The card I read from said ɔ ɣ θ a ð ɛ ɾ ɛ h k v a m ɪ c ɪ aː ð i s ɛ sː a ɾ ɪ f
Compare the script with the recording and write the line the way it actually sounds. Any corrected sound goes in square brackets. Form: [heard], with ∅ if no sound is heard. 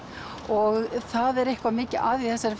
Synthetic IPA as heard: ɔ ɣ θ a ð ɛ ɾ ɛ h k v a m [ɪː] c ɪ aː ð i [θ] ɛ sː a ɾ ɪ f